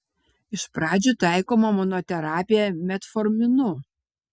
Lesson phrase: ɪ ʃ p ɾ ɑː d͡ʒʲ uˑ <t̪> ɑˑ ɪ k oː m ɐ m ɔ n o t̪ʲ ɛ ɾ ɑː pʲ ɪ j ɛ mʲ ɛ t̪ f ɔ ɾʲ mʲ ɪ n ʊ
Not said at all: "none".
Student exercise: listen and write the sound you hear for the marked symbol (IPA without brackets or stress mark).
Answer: t̪